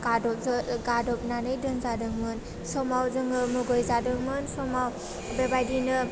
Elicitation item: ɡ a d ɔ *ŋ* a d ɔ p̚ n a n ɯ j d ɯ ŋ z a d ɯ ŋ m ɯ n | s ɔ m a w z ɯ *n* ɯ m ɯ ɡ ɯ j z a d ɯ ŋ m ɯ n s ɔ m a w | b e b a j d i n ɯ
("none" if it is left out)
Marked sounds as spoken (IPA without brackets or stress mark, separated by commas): ɡ, ŋ